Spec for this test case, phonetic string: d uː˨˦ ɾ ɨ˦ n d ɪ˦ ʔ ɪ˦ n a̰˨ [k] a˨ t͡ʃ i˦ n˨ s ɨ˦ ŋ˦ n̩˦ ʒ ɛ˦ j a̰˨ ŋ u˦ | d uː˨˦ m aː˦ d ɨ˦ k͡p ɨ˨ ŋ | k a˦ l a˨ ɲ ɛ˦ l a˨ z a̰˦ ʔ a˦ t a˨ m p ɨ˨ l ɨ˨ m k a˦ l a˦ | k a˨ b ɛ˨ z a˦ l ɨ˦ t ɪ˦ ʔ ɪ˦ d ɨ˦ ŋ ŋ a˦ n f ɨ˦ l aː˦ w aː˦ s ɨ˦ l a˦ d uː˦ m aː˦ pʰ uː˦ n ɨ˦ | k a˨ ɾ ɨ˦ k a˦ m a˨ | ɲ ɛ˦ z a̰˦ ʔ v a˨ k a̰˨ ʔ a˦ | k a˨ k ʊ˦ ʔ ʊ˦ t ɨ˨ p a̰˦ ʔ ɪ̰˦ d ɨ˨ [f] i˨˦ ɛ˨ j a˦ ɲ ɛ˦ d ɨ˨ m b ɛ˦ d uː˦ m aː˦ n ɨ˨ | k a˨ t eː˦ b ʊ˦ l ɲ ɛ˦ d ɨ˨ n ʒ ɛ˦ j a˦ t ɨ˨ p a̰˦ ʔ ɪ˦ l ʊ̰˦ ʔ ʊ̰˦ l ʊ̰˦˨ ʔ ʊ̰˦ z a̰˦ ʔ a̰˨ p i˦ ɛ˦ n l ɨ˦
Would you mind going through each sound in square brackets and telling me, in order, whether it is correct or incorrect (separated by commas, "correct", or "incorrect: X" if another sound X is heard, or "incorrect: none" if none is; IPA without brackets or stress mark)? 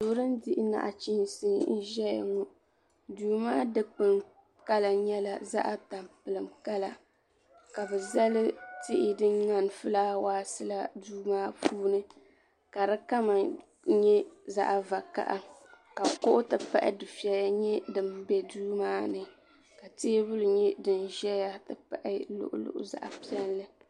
incorrect: ʔ, correct